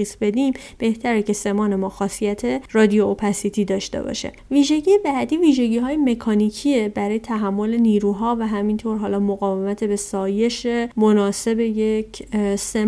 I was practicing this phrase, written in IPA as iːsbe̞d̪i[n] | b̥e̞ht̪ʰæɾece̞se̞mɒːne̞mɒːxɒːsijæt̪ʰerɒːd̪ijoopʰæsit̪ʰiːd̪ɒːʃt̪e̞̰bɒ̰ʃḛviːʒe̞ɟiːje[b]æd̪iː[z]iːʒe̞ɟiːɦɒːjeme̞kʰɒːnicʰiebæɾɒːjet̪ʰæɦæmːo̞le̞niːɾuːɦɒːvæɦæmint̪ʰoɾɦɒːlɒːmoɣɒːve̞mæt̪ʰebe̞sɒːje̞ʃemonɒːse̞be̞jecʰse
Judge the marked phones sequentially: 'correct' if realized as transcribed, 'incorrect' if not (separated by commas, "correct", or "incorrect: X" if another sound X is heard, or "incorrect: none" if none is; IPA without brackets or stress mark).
incorrect: m, correct, incorrect: v